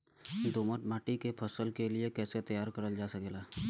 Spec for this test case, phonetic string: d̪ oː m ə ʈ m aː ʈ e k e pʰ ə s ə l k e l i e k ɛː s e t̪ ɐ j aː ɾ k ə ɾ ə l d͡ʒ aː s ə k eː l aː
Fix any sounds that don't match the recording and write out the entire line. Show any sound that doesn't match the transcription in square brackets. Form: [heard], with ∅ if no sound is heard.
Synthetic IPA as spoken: d̪ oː m ə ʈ m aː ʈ [i] k e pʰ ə s ə l k e l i e k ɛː s e t̪ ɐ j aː ɾ k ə ɾ ə l d͡ʒ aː s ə k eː l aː

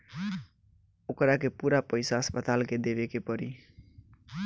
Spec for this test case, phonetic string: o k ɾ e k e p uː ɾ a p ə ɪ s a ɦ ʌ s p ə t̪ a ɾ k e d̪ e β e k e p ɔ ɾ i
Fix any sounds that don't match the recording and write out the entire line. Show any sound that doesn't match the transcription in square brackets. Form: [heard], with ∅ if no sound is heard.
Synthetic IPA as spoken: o k ɾ [a] k e p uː ɾ a p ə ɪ s a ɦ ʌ s p ə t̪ a [l] k e d̪ e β e k e p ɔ ɾ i

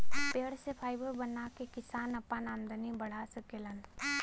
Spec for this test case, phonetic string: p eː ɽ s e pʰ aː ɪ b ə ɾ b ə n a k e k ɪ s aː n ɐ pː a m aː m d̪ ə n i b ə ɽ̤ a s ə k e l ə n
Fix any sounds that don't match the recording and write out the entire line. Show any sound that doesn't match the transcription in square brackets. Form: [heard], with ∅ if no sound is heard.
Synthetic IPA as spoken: p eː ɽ s e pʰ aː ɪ b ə ɾ b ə n a k e k ɪ s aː n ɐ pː a [n] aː m d̪ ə n i b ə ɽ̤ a s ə k e l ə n

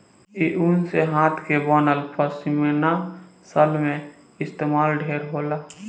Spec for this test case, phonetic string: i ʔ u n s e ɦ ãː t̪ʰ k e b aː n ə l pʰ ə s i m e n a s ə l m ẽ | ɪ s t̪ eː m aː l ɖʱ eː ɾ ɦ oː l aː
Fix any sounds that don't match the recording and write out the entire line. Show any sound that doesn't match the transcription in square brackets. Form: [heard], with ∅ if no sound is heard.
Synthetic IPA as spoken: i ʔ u n s e ɦ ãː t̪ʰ k e b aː n ə l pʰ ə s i m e n a s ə l m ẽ | ɪ s t̪ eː m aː l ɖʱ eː ɾ ɦ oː l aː

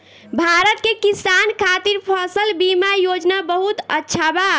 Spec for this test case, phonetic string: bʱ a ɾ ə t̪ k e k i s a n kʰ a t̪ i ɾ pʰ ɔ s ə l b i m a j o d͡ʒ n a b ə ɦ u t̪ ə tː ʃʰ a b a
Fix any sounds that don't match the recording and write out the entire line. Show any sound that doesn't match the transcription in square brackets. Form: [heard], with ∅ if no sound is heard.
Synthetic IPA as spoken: bʱ a ɾ ə t̪ k e k i s a n kʰ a t̪ i ɾ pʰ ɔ s ə l b i m a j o d͡ʒ n a b ə ɦ u t̪ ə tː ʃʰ a b a

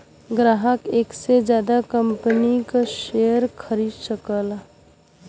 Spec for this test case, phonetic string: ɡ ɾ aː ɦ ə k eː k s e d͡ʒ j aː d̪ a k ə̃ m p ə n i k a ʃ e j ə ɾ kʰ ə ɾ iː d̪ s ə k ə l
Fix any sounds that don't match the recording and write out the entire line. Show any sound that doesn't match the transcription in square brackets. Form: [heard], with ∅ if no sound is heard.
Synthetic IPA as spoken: ɡ ɾ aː ɦ ə k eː k s e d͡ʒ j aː d̪ a k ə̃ m p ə n i k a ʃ e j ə ɾ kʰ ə ɾ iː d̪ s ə k ə l

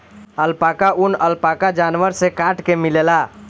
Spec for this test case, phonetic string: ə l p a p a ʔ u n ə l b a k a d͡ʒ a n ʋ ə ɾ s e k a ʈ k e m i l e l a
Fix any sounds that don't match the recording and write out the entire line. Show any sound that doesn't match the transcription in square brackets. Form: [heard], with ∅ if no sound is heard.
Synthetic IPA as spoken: ə l p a [k] a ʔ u n ə l [p] a k a d͡ʒ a n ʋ ə ɾ s e k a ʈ k e m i l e l a

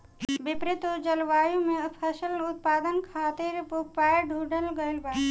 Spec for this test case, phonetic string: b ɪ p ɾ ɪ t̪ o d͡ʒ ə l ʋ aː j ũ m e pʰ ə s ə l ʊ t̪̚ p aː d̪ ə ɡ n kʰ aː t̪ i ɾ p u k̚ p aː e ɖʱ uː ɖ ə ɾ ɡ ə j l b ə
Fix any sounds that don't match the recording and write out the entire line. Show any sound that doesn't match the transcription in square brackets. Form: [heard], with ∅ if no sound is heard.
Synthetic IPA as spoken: b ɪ p ɾ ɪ t̪ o d͡ʒ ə l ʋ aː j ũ m e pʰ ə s ə l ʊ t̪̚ p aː d̪ ə [∅] n kʰ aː t̪ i ɾ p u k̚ p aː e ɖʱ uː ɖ ə [l] ɡ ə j l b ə

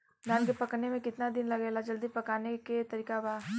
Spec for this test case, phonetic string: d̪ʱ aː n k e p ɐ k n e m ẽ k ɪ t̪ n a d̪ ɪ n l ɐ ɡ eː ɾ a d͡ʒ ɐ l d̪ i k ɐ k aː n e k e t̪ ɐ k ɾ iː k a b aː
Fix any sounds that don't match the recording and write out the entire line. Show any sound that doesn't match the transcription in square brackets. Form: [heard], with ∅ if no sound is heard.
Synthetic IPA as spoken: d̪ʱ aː n k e p ɐ k n e m ẽ k ɪ t̪ n a d̪ ɪ n l ɐ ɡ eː [l] a d͡ʒ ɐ l d̪ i [p] ɐ k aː n e k e t̪ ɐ [∅] ɾ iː k a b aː

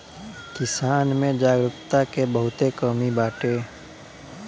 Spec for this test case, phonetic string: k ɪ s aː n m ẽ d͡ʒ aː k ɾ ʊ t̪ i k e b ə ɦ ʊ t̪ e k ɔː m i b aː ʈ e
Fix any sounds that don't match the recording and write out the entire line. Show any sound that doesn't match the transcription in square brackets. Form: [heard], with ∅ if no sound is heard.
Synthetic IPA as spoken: k ɪ s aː n m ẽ d͡ʒ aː [ɡ] ɾ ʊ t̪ [a] k e b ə ɦ ʊ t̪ e k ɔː m i b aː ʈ e

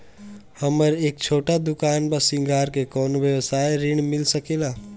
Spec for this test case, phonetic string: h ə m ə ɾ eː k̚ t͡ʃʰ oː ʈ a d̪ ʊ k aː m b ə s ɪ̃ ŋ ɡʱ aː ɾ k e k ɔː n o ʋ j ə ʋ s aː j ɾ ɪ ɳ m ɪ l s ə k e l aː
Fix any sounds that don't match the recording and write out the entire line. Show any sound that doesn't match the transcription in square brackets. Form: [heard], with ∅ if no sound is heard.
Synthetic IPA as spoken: h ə m ə ɾ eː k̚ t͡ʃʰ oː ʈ a d̪ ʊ k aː [n] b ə s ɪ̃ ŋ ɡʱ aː ɾ k e k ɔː n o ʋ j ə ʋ s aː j ɾ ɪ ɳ m ɪ l s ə k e l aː

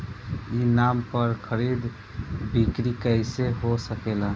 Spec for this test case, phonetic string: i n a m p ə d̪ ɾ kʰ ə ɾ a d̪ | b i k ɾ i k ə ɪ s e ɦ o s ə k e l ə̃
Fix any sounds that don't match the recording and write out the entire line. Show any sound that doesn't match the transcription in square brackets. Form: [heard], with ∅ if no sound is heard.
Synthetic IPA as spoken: i n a m p ə [∅] ɾ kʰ ə ɾ [i] d̪ | b i k ɾ i k ə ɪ s e ɦ o s ə k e l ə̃

